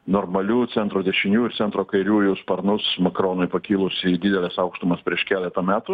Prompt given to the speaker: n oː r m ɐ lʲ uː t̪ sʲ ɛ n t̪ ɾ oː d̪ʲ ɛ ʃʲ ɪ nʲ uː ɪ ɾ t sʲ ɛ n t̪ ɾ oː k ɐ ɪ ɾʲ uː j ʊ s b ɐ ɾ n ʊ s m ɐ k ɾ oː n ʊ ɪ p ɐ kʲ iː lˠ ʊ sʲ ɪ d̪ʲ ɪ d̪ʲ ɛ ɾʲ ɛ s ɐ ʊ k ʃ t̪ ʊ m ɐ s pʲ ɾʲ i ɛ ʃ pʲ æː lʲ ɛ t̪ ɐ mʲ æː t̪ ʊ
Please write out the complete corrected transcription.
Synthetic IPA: n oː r m ɐ lʲ uː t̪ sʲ ɛ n t̪ ɾ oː d̪ʲ ɛ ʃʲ ɪ nʲ uː ɪ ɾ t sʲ ɛ n t̪ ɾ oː k ɐ ɪ ɾʲ uː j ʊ s p ɐ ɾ n ʊ s m ɐ k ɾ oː n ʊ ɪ p ɐ kʲ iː lˠ ʊ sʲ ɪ d̪ʲ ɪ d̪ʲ ɛ lʲ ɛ s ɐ ʊ k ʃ t̪ ʊ m ɐ s pʲ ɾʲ i ɛ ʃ kʲ æː lʲ ɛ t̪ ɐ mʲ æː t̪ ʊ